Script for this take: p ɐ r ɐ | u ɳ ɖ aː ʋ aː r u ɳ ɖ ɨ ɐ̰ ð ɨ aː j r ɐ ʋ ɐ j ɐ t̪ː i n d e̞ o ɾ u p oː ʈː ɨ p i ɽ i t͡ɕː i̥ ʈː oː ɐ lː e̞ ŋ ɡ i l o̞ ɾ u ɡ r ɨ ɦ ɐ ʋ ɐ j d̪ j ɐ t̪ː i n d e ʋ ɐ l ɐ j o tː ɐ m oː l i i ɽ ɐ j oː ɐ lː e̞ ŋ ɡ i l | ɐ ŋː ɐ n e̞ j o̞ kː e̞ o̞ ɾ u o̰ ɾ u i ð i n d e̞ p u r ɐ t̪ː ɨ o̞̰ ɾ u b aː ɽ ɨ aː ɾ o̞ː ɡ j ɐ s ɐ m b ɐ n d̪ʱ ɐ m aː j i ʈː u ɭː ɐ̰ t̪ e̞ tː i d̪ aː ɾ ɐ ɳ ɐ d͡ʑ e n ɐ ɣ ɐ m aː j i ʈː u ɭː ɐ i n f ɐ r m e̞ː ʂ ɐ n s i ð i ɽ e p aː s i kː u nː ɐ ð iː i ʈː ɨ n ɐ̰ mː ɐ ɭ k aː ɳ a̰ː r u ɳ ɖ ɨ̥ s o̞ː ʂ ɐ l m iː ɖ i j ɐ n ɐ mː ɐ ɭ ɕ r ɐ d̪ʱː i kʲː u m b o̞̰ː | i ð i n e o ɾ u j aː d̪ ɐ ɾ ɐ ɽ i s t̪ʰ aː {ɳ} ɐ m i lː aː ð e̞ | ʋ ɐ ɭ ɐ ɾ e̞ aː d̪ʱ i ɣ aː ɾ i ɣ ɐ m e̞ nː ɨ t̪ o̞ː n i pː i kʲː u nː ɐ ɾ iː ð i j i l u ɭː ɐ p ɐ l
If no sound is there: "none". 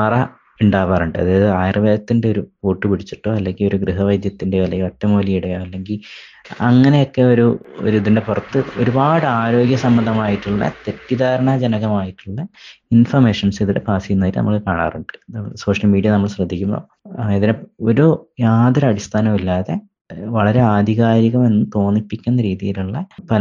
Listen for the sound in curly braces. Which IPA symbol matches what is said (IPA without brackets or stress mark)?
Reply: n